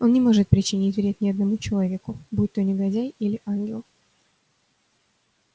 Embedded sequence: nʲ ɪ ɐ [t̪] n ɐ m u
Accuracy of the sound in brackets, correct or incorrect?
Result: incorrect: d̪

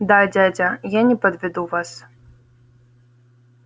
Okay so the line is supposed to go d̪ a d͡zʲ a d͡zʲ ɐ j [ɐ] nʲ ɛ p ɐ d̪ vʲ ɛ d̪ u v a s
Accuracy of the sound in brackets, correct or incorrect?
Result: incorrect: a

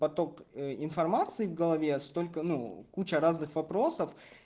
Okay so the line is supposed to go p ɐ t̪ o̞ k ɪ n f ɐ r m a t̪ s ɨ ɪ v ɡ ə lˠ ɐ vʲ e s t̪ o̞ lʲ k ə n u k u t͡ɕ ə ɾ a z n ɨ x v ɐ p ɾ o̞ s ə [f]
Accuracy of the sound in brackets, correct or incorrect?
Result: correct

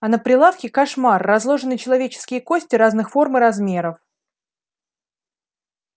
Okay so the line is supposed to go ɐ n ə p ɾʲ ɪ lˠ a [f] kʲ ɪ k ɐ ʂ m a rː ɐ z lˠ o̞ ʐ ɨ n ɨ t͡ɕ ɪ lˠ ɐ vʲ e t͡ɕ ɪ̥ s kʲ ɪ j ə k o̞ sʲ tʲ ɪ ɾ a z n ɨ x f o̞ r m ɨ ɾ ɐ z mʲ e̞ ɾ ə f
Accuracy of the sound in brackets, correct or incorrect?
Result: correct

